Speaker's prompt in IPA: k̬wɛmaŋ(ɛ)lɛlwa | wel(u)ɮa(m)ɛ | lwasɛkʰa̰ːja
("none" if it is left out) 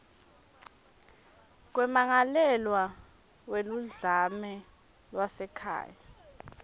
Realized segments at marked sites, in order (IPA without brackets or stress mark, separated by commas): a, u, m